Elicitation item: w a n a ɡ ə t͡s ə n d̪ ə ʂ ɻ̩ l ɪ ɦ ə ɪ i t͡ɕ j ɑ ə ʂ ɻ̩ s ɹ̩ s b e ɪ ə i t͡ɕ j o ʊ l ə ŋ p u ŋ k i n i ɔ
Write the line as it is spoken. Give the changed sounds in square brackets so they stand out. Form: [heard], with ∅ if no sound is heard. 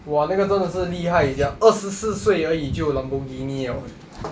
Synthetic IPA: w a n a ɡ ə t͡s ə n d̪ ə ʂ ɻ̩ l [i] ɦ [a] ɪ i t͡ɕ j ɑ ə ʂ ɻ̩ s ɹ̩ s [w] e ɪ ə i t͡ɕ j o ʊ l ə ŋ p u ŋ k i n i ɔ